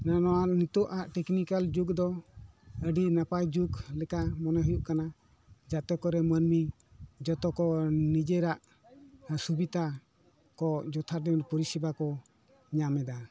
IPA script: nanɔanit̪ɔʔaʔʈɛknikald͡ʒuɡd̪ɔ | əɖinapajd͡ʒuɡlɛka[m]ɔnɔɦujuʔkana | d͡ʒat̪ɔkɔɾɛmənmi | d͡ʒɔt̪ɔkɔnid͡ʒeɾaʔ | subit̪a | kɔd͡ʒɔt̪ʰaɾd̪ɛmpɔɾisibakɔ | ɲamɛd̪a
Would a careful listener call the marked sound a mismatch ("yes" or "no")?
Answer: no